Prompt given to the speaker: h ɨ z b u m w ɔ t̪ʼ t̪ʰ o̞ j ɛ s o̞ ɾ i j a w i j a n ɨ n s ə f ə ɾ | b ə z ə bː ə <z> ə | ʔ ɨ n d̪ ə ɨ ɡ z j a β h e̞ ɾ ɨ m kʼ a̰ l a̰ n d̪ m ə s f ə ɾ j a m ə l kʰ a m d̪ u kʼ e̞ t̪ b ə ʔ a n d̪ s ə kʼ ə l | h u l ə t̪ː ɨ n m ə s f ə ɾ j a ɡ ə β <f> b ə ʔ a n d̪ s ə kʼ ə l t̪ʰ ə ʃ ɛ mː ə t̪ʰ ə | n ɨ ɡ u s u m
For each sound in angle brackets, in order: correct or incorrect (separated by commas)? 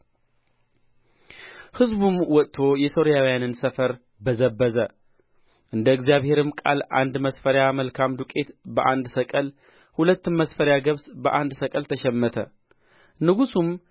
correct, incorrect